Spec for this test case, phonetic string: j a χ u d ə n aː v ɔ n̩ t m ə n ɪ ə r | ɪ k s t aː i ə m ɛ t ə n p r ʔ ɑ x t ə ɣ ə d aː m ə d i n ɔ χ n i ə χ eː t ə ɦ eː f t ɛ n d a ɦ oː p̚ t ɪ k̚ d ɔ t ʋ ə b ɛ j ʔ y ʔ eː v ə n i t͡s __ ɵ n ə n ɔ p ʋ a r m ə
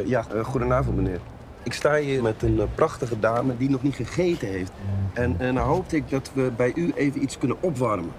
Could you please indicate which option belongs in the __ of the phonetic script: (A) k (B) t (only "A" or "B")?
A